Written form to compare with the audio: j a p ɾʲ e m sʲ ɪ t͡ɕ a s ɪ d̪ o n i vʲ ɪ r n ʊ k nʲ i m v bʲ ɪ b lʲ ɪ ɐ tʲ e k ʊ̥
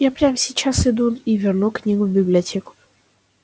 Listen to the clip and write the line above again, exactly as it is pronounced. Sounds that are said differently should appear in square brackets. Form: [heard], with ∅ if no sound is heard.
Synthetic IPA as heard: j a p ɾʲ [a] m sʲ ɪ t͡ɕ a s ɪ d̪ [u] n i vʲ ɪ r n [u] k nʲ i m v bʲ ɪ b lʲ ɪ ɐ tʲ e k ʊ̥